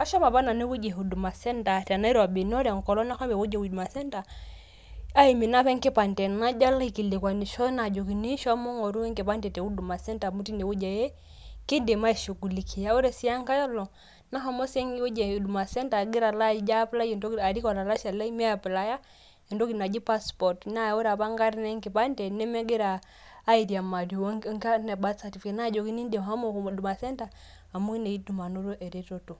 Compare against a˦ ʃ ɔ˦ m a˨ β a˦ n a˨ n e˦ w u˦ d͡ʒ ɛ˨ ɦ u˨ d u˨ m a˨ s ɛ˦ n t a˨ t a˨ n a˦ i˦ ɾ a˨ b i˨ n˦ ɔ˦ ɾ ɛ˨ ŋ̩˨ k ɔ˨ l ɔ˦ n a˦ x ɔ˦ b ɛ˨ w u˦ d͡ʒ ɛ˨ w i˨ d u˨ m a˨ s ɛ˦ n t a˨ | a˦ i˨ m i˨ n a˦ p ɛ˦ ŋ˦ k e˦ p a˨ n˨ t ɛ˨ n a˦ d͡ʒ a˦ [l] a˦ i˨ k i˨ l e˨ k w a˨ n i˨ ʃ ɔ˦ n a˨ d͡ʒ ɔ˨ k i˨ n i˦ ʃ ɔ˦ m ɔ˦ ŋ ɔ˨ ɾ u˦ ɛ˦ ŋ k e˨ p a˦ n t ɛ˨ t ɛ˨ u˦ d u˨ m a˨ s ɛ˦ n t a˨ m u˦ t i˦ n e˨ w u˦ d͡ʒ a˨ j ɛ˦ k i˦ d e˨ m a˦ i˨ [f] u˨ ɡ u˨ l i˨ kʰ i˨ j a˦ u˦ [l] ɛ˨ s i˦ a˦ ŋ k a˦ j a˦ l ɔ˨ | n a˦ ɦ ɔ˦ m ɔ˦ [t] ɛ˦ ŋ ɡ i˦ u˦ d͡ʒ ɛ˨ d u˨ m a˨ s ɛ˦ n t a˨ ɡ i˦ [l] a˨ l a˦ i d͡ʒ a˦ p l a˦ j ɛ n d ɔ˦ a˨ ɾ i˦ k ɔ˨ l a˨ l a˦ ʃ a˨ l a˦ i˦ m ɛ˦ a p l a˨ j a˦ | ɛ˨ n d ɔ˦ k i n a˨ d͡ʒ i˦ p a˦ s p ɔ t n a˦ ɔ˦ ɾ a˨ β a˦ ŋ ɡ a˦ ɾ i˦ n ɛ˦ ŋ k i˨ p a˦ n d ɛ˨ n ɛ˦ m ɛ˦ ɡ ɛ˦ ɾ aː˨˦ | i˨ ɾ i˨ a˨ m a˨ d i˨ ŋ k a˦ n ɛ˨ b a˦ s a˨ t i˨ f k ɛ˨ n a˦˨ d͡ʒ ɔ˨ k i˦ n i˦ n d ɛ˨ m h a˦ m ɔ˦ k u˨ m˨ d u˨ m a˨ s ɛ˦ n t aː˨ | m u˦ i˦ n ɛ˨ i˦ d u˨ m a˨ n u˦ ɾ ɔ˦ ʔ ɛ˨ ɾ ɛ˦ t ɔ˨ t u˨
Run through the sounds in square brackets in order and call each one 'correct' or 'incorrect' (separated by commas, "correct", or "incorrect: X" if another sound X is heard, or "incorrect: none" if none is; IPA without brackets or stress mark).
correct, incorrect: ʃ, incorrect: ɾ, incorrect: s, incorrect: ɾ